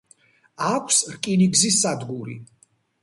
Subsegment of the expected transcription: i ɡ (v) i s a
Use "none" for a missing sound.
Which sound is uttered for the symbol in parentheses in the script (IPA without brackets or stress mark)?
z